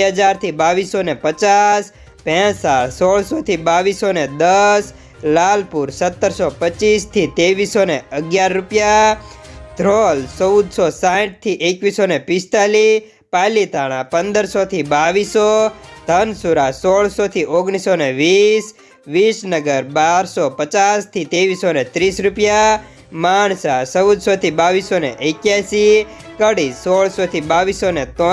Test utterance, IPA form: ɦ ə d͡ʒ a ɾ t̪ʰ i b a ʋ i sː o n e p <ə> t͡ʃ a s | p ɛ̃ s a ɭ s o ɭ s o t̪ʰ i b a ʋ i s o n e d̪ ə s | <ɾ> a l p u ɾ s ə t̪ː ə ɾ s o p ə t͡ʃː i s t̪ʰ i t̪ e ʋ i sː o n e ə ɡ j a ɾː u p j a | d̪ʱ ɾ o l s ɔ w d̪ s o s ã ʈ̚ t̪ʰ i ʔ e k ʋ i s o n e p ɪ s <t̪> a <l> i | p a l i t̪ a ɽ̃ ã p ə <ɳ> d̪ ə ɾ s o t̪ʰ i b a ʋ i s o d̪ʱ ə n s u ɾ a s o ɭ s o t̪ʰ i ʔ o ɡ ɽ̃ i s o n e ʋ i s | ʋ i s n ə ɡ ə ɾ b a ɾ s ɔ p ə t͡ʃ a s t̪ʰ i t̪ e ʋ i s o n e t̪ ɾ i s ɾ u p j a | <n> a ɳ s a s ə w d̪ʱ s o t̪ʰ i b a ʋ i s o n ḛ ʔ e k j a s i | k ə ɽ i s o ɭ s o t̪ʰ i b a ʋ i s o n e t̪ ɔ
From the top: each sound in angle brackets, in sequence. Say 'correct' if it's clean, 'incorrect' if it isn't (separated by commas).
correct, incorrect, correct, correct, incorrect, incorrect